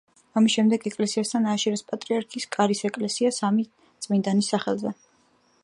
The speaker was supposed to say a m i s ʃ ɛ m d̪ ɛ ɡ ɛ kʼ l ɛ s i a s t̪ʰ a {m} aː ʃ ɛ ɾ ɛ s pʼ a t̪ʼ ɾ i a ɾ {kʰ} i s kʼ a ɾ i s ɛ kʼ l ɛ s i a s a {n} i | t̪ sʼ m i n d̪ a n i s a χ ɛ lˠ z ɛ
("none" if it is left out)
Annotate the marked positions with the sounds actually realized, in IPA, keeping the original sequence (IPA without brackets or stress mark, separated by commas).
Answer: n, kʰ, m